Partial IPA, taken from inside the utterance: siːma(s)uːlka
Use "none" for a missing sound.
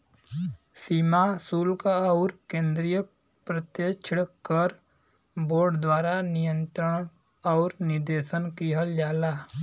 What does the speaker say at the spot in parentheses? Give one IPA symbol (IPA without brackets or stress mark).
s